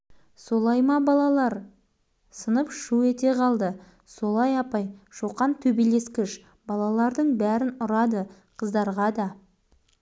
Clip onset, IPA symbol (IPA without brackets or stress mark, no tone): s